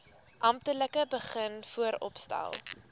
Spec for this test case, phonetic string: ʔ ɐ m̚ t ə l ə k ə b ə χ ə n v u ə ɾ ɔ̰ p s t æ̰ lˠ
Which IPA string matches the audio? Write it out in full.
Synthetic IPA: ʔ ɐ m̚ t ə l ə k ə b ə χ ə n f u ə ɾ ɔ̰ p s t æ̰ lˠ